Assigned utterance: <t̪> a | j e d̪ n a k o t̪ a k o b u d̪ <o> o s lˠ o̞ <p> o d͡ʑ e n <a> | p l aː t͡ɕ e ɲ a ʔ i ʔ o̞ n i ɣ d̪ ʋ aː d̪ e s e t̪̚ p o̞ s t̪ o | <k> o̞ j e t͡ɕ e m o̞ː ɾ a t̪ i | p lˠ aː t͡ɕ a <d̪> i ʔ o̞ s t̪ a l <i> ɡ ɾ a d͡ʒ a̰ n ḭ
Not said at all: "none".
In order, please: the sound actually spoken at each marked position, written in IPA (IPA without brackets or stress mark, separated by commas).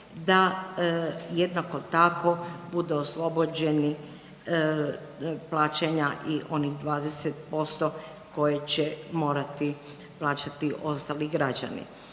d̪, u, b, i, k, t̪, i